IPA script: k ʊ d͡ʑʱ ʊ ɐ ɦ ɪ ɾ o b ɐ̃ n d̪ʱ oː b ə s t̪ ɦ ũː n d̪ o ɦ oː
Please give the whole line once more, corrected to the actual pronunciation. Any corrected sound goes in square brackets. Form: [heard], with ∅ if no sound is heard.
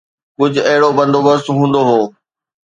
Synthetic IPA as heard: k ʊ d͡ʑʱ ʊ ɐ ɦ ɪ [ɽ] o b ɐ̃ n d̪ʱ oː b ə s t̪ ɦ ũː n d̪ o ɦ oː